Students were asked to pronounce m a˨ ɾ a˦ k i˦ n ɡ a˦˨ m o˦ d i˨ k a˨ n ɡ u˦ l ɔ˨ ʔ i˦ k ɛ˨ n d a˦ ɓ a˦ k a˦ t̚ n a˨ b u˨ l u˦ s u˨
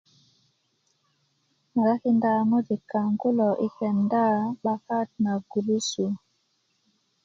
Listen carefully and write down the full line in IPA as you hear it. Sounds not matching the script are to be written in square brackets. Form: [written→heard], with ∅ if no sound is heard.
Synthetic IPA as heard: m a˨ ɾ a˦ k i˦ n [ɡ→d] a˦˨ m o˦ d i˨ k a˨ [n→ŋ] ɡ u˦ l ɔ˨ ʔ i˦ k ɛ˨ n d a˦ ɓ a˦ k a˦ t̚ n a˨ [b→ɡ] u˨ l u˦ s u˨